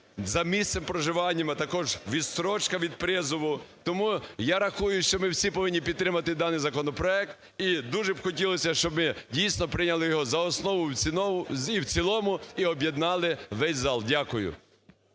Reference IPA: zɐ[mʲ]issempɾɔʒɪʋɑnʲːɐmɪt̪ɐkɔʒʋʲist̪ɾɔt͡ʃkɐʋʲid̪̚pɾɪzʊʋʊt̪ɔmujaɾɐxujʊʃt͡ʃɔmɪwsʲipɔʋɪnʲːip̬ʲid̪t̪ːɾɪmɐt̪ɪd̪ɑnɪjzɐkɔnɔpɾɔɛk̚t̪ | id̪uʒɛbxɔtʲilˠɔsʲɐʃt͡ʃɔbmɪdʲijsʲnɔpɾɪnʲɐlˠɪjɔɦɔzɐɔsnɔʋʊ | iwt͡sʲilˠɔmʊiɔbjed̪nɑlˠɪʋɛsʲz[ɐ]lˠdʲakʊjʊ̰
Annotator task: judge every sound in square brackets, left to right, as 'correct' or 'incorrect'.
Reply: correct, incorrect: ɑ

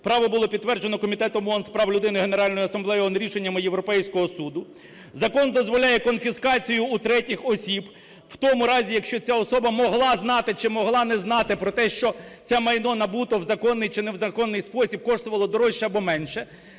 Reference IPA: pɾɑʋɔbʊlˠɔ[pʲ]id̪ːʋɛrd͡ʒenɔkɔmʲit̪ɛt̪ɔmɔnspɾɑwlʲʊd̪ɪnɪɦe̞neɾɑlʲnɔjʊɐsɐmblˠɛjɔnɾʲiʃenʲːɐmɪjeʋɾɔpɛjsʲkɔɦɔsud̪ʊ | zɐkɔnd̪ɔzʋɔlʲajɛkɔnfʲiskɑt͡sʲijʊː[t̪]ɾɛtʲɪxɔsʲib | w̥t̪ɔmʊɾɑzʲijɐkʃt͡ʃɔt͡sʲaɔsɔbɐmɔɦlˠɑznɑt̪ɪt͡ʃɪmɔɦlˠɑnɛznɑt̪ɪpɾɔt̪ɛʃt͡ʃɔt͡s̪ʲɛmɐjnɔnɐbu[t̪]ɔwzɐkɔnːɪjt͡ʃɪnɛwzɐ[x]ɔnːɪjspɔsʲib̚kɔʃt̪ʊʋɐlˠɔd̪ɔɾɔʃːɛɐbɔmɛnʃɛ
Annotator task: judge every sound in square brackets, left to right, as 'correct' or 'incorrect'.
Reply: correct, correct, correct, incorrect: k

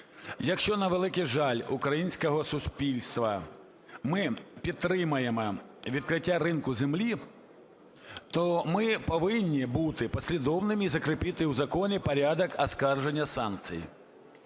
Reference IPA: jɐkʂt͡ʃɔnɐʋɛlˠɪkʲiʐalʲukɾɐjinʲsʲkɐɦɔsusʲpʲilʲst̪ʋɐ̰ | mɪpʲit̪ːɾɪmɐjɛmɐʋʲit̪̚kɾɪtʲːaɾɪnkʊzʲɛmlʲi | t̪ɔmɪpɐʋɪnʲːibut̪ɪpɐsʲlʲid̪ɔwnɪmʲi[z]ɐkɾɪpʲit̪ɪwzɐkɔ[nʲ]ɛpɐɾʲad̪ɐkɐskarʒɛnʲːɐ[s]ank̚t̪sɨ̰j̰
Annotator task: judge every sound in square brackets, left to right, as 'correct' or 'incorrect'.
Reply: correct, correct, correct

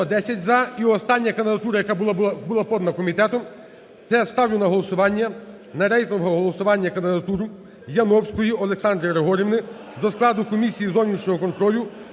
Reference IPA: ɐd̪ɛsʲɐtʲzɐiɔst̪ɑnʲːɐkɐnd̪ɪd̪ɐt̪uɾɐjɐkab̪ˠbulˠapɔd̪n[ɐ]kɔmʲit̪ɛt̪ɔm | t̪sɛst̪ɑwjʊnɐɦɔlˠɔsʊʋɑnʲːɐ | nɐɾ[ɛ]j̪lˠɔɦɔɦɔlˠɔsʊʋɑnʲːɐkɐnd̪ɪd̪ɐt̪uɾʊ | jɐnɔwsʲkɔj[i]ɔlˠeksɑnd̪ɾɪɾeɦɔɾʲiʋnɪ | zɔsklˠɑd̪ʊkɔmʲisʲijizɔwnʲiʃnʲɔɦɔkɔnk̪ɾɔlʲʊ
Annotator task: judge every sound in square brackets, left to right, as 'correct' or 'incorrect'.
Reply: correct, correct, correct

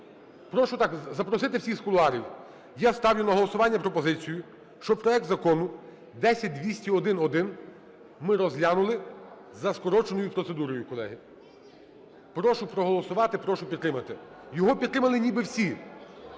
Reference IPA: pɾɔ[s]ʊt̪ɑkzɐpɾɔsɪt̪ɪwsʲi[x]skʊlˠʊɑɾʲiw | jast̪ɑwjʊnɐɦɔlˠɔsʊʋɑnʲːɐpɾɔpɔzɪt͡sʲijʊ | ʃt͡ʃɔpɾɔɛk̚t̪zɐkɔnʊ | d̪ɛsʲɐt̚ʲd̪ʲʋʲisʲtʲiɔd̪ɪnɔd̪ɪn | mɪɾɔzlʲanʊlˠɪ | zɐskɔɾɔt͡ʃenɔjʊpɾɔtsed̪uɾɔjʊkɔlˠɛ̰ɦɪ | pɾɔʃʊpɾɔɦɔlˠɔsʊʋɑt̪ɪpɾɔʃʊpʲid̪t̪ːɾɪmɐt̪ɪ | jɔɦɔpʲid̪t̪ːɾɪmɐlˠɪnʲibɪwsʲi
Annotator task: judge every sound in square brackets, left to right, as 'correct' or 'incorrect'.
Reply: incorrect: ʃ, correct

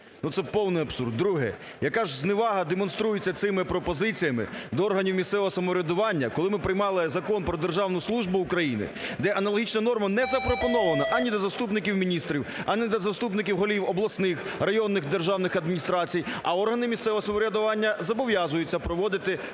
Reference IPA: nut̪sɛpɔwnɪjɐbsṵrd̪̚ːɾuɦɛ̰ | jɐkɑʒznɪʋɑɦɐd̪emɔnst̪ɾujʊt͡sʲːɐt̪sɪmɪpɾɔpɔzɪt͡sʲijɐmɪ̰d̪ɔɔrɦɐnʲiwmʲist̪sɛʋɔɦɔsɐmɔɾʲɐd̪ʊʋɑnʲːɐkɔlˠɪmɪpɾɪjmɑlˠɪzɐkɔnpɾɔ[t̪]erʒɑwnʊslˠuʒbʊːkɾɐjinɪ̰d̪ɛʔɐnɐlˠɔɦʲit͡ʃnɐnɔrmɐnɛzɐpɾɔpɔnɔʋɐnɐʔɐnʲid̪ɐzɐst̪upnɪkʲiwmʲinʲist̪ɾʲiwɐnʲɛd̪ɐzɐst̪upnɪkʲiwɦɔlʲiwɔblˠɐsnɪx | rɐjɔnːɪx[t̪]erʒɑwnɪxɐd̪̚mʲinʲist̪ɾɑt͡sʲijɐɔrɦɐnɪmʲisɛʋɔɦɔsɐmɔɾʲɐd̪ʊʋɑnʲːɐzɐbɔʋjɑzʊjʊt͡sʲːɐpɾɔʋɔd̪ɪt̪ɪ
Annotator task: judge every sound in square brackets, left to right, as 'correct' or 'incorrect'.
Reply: incorrect: d̪, incorrect: d̪

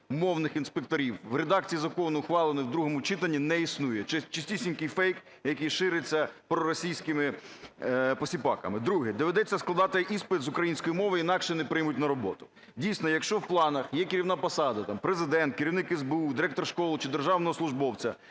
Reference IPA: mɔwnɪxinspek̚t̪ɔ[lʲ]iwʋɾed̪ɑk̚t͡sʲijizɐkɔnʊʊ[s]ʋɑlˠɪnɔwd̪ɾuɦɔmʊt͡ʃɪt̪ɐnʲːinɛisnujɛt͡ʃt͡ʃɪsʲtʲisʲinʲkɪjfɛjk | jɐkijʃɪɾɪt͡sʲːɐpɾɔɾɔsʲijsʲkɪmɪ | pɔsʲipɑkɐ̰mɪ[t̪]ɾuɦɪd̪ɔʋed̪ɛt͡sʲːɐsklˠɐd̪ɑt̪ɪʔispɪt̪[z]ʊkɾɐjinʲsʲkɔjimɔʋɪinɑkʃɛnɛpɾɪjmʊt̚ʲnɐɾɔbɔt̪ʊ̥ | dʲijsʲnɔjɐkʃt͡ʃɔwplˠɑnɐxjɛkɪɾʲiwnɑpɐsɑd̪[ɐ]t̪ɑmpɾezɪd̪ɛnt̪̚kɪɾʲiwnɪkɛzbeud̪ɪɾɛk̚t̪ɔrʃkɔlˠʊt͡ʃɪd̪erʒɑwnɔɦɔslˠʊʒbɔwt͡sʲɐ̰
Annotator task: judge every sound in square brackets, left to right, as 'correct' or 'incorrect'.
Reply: incorrect: ɾʲ, incorrect: x, incorrect: d̪, correct, correct

